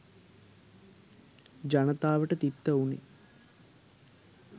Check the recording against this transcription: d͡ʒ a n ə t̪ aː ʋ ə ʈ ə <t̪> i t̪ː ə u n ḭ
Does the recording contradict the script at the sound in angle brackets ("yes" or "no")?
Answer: no